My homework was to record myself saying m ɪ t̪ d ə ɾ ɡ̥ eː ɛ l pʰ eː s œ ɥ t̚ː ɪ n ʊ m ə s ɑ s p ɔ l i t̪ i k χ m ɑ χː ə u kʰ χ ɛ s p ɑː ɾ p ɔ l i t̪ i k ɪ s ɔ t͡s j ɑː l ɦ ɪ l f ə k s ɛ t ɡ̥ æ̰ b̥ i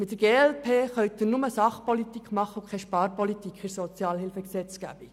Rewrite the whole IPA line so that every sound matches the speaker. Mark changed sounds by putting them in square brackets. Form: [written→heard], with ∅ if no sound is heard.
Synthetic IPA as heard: m ɪ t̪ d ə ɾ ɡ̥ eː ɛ l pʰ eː [s→χ] œ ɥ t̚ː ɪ n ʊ m ə s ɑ [s→χ] p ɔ l i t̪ i k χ m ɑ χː ə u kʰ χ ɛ [s→ʃ] p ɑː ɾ p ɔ l i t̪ i k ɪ s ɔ t͡s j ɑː l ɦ ɪ l f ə k s ɛ [t→t͡s] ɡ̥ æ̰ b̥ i